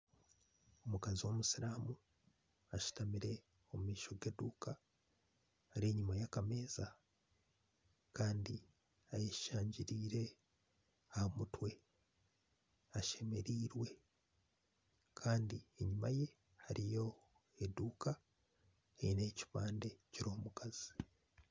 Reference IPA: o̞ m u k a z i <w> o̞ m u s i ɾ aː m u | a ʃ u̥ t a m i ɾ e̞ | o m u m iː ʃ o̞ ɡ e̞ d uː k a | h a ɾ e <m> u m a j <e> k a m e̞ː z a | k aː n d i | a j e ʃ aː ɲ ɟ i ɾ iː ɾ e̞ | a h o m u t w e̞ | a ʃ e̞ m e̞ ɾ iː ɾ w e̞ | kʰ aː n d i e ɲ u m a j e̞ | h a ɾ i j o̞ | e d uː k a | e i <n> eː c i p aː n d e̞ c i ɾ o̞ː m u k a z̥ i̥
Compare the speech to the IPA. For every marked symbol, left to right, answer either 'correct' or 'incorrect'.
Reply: correct, incorrect, incorrect, correct

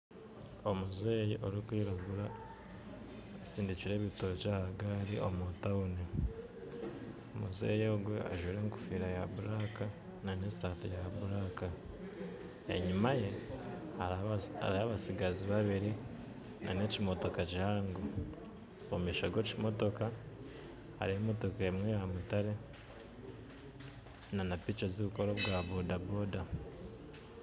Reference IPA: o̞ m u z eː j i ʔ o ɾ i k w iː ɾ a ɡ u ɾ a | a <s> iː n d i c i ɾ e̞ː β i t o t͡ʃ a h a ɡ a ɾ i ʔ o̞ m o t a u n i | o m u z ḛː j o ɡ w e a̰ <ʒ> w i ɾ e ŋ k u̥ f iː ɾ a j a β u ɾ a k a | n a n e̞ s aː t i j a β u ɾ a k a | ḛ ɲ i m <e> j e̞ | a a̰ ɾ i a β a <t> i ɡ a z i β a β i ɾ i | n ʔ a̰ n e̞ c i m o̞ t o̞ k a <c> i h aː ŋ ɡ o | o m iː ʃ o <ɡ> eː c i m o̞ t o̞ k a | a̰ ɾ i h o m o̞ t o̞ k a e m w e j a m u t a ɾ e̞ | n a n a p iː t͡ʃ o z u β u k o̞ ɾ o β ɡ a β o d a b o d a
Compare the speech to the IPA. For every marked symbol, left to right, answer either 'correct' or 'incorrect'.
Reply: correct, correct, incorrect, incorrect, correct, correct

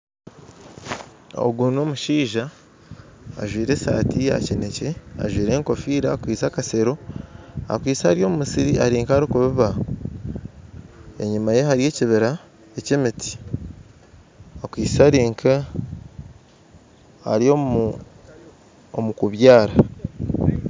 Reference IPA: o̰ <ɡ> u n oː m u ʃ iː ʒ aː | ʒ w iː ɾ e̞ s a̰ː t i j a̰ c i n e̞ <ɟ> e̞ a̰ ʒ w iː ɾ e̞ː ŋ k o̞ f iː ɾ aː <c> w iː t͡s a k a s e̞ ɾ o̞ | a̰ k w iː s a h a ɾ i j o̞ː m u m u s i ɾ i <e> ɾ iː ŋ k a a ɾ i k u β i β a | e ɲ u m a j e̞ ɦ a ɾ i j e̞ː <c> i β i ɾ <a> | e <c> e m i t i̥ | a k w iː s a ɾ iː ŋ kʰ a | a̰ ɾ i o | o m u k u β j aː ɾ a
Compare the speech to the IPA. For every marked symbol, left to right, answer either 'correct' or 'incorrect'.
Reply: correct, incorrect, incorrect, incorrect, correct, correct, correct

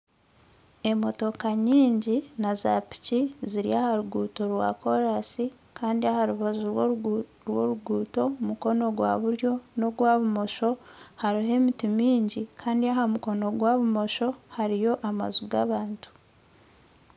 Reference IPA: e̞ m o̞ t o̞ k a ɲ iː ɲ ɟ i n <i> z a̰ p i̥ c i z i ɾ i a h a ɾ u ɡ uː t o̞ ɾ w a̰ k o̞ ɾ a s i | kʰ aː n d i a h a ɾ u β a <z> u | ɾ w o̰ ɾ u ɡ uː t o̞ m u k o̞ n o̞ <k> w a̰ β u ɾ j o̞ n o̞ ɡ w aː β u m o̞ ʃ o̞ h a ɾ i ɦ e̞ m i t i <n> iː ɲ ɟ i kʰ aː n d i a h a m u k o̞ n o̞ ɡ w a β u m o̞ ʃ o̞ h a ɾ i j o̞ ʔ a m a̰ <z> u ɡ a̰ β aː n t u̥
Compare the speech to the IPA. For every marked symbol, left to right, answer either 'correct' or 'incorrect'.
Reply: incorrect, correct, incorrect, incorrect, correct

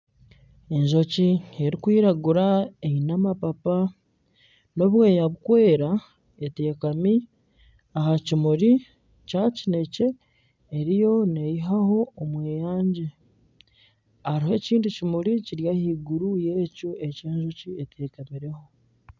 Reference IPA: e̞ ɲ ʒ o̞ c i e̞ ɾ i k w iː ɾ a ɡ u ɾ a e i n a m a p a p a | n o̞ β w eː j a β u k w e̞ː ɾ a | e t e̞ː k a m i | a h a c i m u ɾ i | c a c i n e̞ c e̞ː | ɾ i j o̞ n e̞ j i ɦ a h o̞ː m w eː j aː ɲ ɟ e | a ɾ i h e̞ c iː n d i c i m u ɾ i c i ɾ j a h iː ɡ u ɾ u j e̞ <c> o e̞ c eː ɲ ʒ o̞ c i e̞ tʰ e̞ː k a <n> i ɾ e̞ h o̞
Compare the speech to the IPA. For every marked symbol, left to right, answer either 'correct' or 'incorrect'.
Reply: correct, incorrect

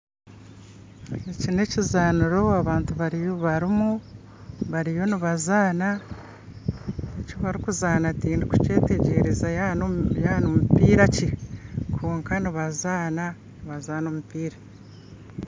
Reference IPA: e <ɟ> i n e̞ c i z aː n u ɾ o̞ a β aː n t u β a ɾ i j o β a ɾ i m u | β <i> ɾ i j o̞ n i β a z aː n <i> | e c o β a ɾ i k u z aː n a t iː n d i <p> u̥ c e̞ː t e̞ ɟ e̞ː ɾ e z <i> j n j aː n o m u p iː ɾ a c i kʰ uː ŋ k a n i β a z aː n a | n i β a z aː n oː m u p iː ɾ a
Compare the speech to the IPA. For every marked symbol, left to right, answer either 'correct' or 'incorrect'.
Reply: incorrect, incorrect, incorrect, incorrect, incorrect

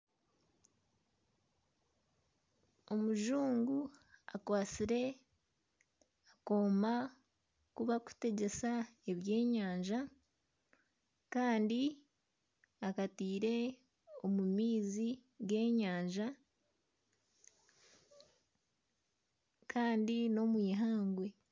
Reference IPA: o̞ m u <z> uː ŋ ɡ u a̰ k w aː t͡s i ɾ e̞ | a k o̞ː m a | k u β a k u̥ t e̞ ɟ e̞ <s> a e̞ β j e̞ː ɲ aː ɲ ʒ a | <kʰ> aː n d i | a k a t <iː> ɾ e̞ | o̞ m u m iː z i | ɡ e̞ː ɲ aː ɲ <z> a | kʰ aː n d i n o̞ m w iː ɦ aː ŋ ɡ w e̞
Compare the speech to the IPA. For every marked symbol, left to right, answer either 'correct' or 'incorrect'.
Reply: incorrect, correct, incorrect, correct, incorrect

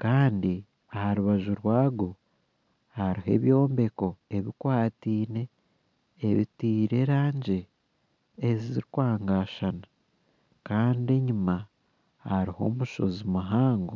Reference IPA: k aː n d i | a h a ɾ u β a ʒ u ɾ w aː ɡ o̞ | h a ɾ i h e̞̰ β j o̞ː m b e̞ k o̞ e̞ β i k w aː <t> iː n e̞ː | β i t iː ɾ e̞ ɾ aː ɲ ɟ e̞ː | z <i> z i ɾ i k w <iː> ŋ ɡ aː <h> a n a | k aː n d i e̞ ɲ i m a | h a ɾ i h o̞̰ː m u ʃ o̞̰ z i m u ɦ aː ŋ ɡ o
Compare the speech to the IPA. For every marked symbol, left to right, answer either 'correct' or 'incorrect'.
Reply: correct, correct, incorrect, incorrect

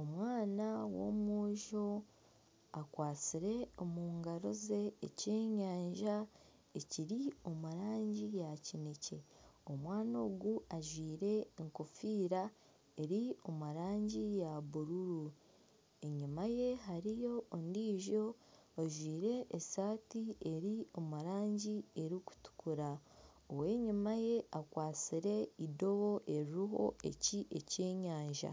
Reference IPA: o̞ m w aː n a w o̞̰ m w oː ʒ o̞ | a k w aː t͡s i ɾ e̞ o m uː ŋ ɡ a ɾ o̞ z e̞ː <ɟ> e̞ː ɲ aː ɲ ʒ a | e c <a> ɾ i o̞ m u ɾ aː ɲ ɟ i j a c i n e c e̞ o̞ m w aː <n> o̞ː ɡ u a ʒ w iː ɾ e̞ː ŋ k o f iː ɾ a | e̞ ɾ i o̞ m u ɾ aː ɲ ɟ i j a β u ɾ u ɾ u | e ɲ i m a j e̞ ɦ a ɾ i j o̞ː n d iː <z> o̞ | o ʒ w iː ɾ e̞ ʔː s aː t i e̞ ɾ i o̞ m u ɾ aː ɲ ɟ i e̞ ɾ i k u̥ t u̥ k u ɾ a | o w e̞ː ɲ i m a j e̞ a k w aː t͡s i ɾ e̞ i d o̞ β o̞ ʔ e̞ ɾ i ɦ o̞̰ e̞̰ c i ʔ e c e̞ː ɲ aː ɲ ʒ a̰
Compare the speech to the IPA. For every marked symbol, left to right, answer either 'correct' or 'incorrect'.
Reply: incorrect, incorrect, correct, incorrect

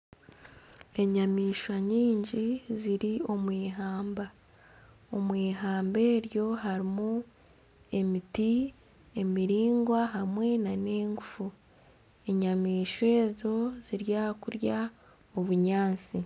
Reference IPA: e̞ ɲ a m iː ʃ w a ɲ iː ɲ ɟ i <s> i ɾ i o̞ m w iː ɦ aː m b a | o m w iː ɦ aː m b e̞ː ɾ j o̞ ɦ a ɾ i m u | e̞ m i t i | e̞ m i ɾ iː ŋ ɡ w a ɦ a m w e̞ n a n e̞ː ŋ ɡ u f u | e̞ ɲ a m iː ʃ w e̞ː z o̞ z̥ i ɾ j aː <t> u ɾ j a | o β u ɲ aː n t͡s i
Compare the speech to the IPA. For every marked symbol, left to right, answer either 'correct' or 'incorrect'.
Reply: incorrect, incorrect

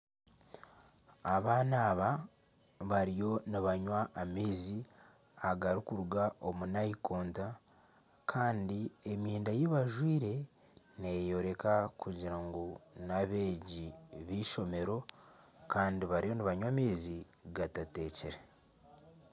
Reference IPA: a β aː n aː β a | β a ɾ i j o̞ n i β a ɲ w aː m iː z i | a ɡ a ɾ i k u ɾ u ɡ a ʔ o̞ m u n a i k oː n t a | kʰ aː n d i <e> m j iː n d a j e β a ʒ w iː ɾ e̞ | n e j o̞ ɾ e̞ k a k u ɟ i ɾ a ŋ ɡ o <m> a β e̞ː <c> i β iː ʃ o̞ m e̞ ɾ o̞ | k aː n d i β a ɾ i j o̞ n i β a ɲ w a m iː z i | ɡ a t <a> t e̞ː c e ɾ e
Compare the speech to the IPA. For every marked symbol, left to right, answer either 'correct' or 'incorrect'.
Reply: correct, incorrect, incorrect, correct

